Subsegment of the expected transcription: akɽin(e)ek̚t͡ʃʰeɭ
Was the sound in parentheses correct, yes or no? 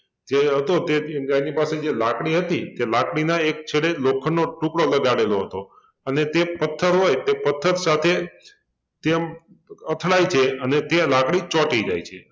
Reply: no